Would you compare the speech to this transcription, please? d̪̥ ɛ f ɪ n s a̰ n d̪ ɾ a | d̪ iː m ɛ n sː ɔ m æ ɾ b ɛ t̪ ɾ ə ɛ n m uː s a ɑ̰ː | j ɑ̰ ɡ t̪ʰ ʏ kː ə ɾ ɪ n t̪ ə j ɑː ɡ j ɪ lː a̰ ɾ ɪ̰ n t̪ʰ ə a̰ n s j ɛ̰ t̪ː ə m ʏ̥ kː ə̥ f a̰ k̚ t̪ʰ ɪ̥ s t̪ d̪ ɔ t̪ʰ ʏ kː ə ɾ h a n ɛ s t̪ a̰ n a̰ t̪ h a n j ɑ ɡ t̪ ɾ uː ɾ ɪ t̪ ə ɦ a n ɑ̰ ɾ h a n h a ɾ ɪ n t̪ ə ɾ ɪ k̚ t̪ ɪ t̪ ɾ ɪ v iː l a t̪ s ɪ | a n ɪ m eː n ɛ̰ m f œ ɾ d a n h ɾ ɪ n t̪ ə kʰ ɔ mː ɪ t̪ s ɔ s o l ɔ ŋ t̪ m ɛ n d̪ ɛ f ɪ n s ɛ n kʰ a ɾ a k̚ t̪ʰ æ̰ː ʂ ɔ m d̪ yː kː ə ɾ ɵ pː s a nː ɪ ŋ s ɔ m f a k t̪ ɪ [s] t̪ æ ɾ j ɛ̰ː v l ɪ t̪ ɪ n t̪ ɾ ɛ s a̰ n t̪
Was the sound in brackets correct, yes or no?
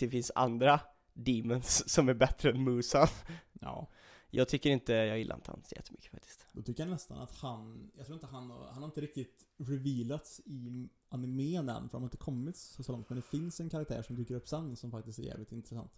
yes